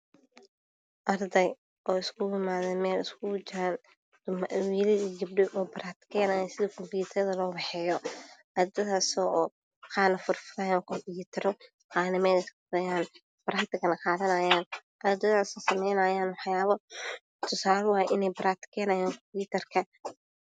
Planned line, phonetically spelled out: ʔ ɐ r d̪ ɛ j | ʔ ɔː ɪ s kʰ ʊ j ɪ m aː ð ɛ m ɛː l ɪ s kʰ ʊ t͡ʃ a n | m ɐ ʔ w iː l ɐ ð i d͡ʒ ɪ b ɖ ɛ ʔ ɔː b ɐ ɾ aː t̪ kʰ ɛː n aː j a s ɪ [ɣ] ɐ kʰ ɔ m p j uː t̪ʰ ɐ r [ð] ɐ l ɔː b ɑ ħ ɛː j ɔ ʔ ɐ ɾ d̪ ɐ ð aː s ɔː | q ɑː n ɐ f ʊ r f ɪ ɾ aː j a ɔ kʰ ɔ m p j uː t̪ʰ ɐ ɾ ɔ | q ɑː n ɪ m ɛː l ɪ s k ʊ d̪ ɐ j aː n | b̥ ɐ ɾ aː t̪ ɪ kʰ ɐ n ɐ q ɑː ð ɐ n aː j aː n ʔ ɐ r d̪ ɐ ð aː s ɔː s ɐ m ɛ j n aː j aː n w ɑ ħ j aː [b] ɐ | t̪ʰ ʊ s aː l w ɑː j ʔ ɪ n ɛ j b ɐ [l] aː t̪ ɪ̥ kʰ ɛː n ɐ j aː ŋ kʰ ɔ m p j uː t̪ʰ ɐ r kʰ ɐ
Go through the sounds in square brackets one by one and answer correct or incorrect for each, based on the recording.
incorrect: ð, correct, incorrect: β, incorrect: ɾ

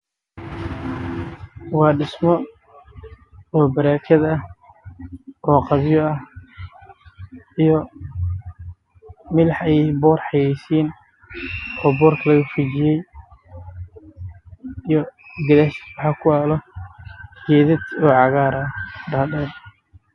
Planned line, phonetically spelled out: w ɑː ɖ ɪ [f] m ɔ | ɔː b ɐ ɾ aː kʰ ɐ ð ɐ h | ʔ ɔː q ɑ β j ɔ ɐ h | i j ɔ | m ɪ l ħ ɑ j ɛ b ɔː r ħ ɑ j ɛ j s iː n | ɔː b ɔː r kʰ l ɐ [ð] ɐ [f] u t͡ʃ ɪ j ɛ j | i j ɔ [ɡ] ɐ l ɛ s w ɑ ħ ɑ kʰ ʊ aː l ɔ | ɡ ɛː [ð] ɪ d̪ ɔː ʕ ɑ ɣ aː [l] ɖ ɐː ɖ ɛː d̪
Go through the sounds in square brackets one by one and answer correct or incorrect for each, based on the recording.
incorrect: s, incorrect: ɣ, correct, correct, correct, incorrect: ɾ

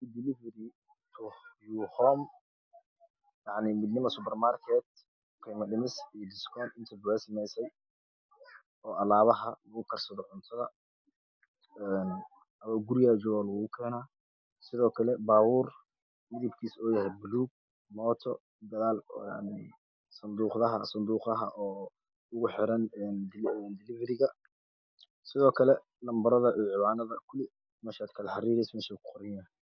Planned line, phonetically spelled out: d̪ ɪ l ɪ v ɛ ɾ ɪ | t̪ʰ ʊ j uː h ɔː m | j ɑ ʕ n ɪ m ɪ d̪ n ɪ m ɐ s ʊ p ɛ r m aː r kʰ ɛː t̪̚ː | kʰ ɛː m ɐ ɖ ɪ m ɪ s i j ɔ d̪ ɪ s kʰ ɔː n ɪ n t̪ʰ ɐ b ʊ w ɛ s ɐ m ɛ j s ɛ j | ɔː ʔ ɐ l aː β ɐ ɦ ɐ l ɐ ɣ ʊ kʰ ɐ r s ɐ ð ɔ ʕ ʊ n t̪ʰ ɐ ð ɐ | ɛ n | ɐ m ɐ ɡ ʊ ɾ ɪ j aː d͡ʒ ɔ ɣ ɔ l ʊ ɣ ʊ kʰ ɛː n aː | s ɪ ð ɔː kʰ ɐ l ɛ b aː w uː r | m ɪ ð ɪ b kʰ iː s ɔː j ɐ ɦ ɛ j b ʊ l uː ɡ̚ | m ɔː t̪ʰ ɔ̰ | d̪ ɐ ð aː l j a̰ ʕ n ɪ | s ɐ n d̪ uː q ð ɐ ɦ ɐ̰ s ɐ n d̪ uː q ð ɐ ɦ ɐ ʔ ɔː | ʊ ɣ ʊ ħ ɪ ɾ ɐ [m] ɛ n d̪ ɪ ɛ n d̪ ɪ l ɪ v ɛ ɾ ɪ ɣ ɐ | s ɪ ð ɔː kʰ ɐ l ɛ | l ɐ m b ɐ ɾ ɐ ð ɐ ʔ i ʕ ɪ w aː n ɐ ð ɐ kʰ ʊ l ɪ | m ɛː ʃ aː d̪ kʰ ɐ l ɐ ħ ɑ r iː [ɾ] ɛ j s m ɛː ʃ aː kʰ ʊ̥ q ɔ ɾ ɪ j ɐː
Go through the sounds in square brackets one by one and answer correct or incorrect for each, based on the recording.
incorrect: n, correct

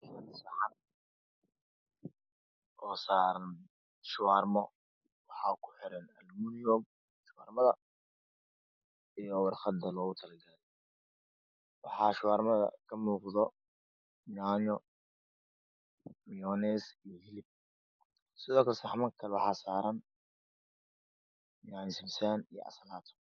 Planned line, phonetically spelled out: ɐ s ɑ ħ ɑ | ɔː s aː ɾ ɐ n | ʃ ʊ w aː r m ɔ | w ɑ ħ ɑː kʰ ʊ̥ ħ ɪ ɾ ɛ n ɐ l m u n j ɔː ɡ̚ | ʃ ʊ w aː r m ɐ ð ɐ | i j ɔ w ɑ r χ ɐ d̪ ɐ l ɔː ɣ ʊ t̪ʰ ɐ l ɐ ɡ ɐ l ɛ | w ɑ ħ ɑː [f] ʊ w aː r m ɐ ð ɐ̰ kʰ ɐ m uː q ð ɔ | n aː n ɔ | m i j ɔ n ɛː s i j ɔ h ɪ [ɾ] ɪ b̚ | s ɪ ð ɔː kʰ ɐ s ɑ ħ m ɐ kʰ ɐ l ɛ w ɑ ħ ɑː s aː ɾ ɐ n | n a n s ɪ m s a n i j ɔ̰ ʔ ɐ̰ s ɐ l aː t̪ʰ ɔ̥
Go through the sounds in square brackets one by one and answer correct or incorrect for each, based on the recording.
incorrect: ʃ, incorrect: l

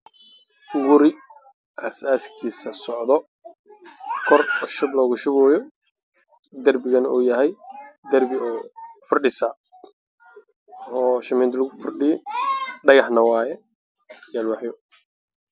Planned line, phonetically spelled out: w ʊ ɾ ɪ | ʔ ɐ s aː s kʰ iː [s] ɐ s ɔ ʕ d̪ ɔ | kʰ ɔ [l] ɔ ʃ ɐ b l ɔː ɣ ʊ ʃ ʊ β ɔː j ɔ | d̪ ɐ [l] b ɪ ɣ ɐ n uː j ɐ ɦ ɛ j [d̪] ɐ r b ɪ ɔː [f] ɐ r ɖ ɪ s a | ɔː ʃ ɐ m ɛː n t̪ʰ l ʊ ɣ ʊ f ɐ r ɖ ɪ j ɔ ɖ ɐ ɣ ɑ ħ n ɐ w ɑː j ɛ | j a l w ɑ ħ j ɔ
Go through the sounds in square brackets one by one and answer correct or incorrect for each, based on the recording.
correct, incorrect: r, incorrect: r, correct, correct

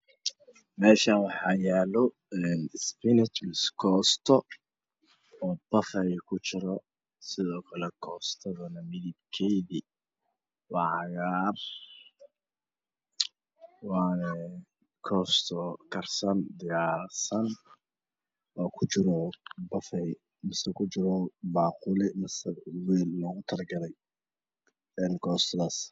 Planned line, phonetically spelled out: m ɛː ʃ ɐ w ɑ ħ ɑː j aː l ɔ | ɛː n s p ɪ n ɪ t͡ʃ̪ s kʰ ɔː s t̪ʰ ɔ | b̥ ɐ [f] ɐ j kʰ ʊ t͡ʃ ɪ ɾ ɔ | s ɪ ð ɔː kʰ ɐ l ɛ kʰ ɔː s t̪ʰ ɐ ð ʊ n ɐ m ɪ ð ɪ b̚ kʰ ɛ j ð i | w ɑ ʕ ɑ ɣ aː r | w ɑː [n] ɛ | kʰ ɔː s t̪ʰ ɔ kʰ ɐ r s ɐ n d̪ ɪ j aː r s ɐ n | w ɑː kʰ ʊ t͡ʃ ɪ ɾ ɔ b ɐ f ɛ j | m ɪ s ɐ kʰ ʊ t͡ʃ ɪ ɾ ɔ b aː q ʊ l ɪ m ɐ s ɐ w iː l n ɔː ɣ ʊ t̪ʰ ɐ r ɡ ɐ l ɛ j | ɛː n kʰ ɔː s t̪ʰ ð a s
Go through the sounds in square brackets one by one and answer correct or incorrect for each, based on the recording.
correct, correct

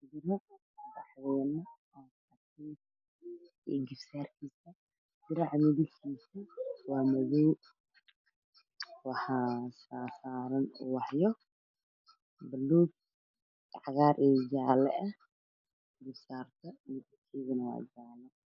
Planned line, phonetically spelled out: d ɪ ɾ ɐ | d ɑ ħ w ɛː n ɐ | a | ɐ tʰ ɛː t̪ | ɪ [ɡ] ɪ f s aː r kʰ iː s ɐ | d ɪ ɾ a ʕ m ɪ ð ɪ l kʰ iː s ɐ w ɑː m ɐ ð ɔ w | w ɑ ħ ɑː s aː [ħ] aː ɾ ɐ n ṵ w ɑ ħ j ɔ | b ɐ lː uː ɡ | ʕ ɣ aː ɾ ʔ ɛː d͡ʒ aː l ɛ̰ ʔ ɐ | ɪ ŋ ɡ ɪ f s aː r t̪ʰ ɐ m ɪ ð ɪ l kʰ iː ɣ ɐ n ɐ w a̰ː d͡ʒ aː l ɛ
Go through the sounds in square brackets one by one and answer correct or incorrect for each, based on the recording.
correct, incorrect: s

